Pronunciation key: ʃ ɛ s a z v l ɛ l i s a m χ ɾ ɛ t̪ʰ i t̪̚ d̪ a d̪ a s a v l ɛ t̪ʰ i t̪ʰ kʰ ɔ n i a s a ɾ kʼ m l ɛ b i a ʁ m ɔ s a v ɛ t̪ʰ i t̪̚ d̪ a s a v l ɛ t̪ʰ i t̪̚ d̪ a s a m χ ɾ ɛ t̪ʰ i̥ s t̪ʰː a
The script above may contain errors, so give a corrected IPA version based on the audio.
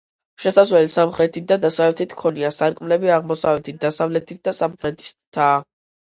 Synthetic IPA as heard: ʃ ɛ s a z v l ɛ l i s a m χ ɾ ɛ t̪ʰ i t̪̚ d̪ a d̪ a s a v l ɛ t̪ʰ i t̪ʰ kʰ ɔ n i a s a ɾ kʼ m l ɛ b i a ʁ m ɔ s a v ɛ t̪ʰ i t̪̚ d̪ a s a v l ɛ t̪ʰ i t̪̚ d̪ a s a m χ ɾ ɛ t̪ʰ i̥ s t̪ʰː a